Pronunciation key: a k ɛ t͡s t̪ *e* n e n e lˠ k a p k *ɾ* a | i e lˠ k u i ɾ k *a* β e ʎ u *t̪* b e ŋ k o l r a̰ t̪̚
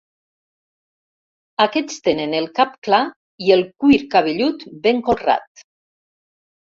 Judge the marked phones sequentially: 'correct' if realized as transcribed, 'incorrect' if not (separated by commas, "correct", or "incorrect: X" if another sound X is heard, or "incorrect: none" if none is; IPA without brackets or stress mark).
correct, incorrect: l, correct, correct